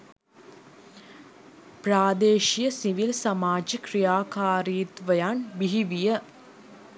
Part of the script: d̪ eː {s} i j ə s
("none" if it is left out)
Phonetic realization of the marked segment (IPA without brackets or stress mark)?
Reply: ʃ